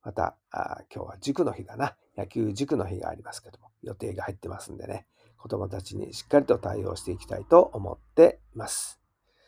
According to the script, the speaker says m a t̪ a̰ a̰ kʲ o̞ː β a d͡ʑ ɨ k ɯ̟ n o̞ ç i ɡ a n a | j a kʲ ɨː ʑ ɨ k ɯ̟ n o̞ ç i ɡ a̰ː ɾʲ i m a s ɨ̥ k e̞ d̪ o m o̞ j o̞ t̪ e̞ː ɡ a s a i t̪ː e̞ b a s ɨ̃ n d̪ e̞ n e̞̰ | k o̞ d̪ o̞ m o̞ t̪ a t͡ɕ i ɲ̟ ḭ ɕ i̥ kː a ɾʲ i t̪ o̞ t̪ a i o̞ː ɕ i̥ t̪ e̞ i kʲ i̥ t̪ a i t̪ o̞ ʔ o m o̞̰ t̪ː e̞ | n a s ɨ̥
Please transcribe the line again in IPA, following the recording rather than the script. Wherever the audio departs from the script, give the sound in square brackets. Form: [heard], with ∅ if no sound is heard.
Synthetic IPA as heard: m a t̪ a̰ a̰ kʲ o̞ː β a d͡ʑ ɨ k ɯ̟ n o̞ ç i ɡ a n a | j a kʲ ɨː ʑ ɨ k ɯ̟ n o̞ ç i ɡ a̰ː ɾʲ i m a s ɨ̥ k e̞ d̪ o m o̞ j o̞ t̪ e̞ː ɡ a [h] a i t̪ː e̞ [m] a s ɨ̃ n d̪ e̞ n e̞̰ | k o̞ d̪ o̞ m o̞ t̪ a t͡ɕ i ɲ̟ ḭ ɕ i̥ kː a ɾʲ i t̪ o̞ t̪ a i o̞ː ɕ i̥ t̪ e̞ i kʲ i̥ t̪ a i t̪ o̞ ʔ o m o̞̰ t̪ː e̞ | [m] a s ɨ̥